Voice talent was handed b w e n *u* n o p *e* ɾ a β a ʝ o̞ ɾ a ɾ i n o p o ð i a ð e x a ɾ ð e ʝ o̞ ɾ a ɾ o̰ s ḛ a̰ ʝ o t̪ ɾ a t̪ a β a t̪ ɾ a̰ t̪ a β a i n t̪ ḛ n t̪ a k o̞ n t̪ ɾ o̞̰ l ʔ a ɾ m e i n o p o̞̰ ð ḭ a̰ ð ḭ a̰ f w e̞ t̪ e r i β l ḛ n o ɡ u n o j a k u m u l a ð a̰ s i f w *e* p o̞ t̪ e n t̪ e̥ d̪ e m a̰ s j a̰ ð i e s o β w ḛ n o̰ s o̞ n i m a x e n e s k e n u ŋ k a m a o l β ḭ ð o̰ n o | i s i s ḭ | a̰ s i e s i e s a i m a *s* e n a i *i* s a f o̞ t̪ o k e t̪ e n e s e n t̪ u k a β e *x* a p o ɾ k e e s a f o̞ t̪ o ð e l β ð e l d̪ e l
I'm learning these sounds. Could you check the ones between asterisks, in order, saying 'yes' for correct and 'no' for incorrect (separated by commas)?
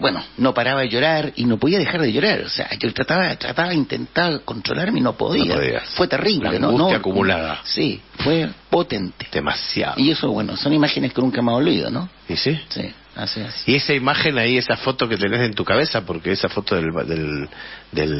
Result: no, no, yes, no, no, no